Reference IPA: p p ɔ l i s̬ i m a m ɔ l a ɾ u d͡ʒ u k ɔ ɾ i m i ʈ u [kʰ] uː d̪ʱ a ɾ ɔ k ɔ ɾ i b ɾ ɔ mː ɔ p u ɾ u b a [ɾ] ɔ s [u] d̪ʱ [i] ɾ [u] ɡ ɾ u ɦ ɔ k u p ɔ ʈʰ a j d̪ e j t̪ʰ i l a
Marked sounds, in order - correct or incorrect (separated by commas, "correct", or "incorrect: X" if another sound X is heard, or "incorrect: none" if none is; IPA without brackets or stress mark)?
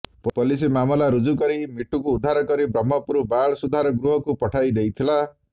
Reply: incorrect: k, incorrect: ɭ, correct, incorrect: a, incorrect: ɔ